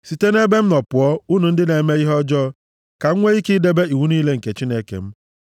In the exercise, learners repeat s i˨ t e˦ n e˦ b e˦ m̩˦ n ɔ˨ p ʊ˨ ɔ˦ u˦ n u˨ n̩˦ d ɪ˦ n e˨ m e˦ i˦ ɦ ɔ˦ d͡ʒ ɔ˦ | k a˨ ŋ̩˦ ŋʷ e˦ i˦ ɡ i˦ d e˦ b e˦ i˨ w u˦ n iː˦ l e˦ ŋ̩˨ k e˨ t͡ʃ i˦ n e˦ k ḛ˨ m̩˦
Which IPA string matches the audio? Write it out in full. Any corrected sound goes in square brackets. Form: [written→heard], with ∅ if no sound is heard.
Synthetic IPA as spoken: s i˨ t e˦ n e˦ b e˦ m̩˦ n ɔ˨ p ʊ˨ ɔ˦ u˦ n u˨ n̩˦ d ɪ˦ n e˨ m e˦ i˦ ɦ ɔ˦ d͡ʒ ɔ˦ | k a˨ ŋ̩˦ ŋʷ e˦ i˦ [ɡ→k] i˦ d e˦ b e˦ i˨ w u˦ n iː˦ l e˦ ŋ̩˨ k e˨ t͡ʃ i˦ n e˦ k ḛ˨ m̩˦

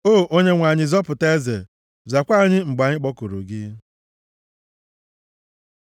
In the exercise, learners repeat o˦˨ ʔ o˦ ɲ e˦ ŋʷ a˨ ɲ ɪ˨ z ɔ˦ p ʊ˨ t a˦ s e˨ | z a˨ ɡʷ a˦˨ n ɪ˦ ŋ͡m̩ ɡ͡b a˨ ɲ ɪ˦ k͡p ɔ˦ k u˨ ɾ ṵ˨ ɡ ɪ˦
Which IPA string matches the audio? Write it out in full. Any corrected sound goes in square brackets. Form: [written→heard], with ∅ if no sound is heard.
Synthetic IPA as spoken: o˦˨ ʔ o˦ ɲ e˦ ŋʷ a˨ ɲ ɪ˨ z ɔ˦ p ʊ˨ t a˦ [s→z] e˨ | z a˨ [ɡʷ→kʷ] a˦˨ [n→ɲ] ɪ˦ ŋ͡m̩ ɡ͡b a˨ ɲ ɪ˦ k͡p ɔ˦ k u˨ ɾ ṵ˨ ɡ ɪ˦

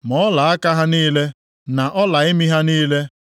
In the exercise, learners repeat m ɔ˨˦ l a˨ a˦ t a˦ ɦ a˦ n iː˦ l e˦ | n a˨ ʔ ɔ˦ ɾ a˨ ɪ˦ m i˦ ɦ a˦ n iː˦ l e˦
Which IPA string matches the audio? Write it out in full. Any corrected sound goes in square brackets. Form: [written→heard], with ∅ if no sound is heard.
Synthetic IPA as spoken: m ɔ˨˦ l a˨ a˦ [t→k] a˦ ɦ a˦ n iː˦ l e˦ | n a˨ ʔ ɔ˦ [ɾ→l] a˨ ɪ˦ m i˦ ɦ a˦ n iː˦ l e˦

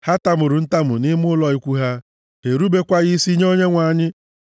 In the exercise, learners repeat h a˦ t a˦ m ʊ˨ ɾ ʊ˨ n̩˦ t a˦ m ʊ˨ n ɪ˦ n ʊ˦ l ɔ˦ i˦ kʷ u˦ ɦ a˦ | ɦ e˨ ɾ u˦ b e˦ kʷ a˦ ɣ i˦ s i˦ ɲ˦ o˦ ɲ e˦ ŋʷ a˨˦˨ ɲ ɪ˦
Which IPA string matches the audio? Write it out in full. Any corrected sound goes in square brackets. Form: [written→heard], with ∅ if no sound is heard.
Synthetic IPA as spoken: h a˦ t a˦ m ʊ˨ ɾ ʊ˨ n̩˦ t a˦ m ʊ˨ n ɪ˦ [n→m] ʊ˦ l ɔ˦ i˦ kʷ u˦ ɦ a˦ | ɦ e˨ ɾ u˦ b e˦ kʷ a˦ ɣ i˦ s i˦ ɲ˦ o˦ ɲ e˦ ŋʷ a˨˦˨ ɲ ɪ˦

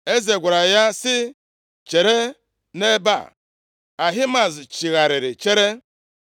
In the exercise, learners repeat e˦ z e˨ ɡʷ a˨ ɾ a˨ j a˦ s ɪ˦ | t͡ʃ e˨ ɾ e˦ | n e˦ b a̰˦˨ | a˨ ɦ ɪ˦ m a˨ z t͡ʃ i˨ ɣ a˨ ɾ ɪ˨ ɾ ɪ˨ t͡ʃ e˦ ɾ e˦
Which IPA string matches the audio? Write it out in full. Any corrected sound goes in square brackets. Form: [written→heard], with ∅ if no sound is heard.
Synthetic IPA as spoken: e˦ z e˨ ɡʷ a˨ ɾ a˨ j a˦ s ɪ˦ | t͡ʃ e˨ ɾ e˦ | n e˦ b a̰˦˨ | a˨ ɦ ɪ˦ m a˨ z t͡ʃ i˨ ɣ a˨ ɾ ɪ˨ ɾ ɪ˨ t͡ʃ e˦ ɾ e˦

